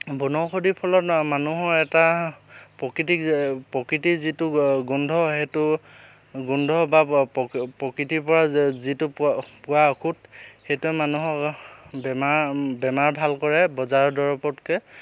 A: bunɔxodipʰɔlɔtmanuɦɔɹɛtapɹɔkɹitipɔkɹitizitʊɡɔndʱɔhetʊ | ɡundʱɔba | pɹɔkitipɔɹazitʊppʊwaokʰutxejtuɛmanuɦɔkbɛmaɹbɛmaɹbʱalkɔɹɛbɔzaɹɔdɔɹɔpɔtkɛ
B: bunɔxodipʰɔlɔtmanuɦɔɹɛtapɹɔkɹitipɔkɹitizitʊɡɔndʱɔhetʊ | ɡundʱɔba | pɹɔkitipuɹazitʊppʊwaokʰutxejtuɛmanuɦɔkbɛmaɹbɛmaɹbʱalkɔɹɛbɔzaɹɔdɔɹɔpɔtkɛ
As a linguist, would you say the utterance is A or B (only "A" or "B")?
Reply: A